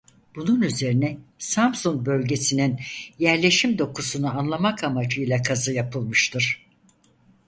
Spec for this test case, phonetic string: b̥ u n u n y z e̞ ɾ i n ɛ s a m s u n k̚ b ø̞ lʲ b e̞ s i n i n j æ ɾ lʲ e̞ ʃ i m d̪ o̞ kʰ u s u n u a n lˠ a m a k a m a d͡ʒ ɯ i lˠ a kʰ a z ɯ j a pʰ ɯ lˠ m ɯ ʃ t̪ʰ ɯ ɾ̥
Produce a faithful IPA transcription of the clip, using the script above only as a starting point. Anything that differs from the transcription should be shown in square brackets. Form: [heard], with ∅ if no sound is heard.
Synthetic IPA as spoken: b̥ u n u n y z e̞ ɾ i n ɛ s a m s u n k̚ b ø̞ lʲ [ɟ] e̞ s i n i n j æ ɾ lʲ e̞ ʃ i m d̪ o̞ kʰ u s u n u a n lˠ a m a k a m a d͡ʒ ɯ [j] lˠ a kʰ a z ɯ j a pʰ ɯ lˠ m ɯ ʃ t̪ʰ ɯ ɾ̥

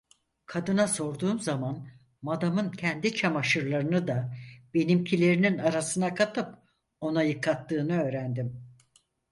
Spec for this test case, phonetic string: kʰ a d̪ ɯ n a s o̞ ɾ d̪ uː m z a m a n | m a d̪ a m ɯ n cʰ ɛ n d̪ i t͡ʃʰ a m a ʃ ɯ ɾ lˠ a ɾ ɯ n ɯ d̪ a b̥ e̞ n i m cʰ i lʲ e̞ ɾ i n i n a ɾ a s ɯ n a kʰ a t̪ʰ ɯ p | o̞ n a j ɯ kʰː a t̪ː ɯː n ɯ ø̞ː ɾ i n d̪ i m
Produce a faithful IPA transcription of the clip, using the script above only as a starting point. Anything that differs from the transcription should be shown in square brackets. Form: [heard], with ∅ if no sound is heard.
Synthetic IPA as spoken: kʰ a d̪ ɯ n a s o̞ ɾ d̪ uː m z a m a n | m a d̪ a m ɯ n cʰ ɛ n d̪ i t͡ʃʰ a m a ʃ ɯ ɾ lˠ a ɾ ɯ n ɯ d̪ a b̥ e̞ n i m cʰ i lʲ e̞ ɾ i n i n a ɾ a s ɯ n a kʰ a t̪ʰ ɯ p | o̞ n a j ɯ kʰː a t̪ː ɯː n ɯ ø̞ː ɾ [æ] n d̪ i m

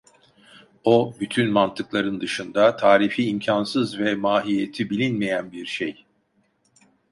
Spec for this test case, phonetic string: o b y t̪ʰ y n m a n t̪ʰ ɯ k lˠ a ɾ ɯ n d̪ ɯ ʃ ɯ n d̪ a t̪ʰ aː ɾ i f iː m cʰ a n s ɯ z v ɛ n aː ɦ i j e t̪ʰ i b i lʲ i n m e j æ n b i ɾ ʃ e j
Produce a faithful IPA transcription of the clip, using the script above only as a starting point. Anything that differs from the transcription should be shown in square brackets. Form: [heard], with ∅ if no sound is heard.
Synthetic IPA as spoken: o b y t̪ʰ y n m a n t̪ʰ ɯ k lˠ a ɾ ɯ n d̪ ɯ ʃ ɯ n d̪ a t̪ʰ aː ɾ i f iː m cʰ a n s ɯ z v ɛ [m] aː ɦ i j e t̪ʰ i b i lʲ i n m e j æ n b i ɾ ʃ e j

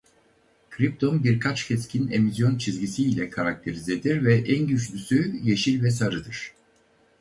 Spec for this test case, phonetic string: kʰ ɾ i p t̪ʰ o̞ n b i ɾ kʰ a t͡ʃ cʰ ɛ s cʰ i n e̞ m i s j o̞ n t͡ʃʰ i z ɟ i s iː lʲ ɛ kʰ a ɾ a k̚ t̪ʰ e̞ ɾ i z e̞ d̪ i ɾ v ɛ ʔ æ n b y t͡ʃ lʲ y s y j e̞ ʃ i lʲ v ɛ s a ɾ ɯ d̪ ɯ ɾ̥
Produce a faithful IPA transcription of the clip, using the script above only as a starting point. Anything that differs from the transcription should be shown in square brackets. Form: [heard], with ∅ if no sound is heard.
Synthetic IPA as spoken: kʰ ɾ i p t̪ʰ o̞ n b i ɾ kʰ a t͡ʃ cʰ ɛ s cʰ i n e̞ m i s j o̞ n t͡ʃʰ i z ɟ i s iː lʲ ɛ kʰ a ɾ a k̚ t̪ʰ e̞ ɾ i z e̞ d̪ i ɾ v ɛ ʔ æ n [ɟ] y t͡ʃ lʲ y s y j e̞ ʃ i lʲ v ɛ s a ɾ ɯ d̪ ɯ ɾ̥

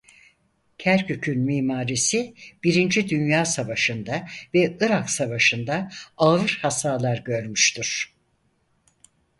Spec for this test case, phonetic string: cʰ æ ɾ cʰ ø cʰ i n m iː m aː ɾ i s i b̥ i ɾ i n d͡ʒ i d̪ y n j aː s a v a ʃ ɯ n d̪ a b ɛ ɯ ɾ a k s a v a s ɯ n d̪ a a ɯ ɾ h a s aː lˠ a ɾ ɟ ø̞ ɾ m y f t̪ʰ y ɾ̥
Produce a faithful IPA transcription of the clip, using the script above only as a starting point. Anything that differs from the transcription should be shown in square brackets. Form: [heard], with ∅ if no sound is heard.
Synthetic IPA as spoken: cʰ æ ɾ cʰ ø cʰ [y] n m iː m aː ɾ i s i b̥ i ɾ i n d͡ʒ i d̪ y n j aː s a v a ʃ ɯ n d̪ a [v] ɛ ɯ ɾ a k s a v a [ʃ] ɯ n d̪ a a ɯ ɾ h a s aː lˠ a ɾ ɟ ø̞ ɾ m y [ʃ] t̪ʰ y ɾ̥

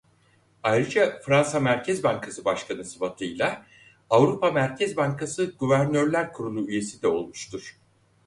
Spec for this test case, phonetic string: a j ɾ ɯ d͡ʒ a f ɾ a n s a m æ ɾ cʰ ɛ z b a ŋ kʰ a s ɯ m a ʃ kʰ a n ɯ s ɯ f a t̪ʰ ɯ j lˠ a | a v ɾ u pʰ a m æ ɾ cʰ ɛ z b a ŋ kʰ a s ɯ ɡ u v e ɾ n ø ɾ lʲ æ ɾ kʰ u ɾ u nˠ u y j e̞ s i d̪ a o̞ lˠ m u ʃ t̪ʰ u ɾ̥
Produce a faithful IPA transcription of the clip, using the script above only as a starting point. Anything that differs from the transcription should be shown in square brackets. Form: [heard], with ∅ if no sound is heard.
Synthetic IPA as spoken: a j ɾ ɯ d͡ʒ a f ɾ a n s a m æ ɾ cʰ ɛ z b a ŋ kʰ a s ɯ [b] a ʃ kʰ a n ɯ s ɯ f a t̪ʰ ɯ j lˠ a | a v ɾ u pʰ a m æ ɾ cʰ ɛ z b a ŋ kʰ a s ɯ ɡ u v [æ] ɾ n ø ɾ lʲ æ ɾ kʰ u ɾ u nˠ u y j e̞ s i d̪ [ɛ] o̞ lˠ m u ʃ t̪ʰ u ɾ̥

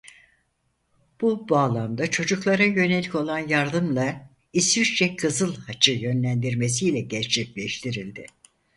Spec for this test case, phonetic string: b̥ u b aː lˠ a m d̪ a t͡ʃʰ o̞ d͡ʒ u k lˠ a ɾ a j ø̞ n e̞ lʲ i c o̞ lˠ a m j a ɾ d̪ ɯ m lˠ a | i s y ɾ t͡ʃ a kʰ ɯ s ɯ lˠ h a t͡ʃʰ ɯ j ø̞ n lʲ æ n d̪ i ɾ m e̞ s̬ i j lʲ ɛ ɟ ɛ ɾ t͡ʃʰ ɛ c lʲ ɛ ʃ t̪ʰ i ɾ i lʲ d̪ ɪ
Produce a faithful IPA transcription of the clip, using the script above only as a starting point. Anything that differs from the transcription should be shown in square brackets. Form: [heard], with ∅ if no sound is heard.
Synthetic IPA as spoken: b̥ u b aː lˠ a m d̪ a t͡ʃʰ o̞ d͡ʒ u k lˠ a ɾ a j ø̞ n e̞ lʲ i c o̞ lˠ a [n] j a ɾ d̪ ɯ m lˠ a | i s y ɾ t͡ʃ [ɛ] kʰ ɯ [z] ɯ lˠ h a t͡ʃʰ ɯ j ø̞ n lʲ æ n d̪ i ɾ m e̞ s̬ i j lʲ ɛ ɟ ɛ ɾ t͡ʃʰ ɛ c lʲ ɛ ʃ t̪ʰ i ɾ i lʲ d̪ ɪ

